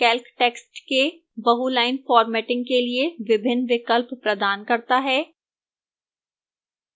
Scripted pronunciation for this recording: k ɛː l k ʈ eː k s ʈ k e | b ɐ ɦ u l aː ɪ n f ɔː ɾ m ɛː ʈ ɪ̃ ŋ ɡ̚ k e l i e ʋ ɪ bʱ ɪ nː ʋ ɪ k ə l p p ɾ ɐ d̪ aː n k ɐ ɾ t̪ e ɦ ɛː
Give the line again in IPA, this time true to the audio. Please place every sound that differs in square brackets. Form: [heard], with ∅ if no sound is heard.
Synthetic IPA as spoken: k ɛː l k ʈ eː k s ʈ k e | b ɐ ɦ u l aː ɪ n f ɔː ɾ m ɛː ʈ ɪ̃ ŋ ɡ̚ k e l i e ʋ ɪ bʱ ɪ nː ʋ ɪ k ə l p p ɾ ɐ d̪ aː n k ɐ ɾ t̪ [a] ɦ ɛː